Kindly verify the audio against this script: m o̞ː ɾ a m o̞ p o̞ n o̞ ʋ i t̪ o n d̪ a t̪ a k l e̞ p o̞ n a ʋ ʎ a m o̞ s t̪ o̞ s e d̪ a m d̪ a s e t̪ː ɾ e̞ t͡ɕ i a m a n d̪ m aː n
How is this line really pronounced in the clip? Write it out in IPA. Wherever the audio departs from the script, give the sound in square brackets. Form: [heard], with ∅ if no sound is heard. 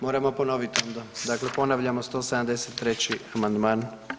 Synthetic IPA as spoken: m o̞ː ɾ a m o̞ p o̞ n o̞ ʋ i t̪ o n d̪ a [d̪] a k l e̞ p o̞ n a ʋ ʎ a m o̞ s t̪ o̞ s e d̪ a m d̪ [e] s e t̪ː ɾ e̞ t͡ɕ i a m a n d̪ m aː n